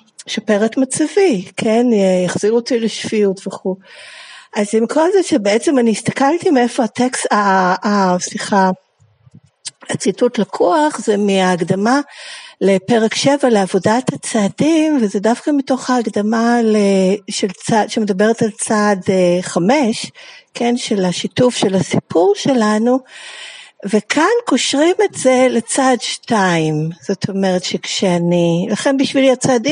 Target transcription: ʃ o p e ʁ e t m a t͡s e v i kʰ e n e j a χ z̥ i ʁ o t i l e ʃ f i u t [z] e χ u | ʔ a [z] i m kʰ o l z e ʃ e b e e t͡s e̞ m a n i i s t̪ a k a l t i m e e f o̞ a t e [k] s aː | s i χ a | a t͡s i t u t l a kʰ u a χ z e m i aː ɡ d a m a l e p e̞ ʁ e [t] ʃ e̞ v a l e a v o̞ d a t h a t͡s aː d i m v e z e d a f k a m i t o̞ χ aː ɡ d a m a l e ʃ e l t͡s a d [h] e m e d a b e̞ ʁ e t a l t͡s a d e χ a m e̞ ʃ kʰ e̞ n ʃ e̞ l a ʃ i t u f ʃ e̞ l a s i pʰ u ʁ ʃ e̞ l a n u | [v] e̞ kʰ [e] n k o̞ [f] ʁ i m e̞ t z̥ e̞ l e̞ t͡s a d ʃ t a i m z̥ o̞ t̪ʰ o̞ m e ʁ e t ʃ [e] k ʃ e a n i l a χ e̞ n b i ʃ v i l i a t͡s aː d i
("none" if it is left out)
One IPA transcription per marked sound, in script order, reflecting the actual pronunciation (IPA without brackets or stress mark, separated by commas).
v, z, k, k, ʃ, v, a, ʃ, e